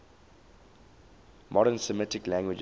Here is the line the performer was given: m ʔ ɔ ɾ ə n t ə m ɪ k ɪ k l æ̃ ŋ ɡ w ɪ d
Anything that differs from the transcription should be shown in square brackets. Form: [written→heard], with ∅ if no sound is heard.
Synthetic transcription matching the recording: m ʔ ɔ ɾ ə n [t→s] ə m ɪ [k→t] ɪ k l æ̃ ŋ ɡ w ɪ [d→d͡ʒ]